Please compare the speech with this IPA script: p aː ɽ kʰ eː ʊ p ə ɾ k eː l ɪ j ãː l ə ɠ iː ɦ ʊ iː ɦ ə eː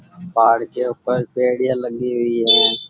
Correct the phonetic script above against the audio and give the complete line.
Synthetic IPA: p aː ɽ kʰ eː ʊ p ə ɾ p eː ɽ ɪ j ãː l ə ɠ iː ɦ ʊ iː ɦ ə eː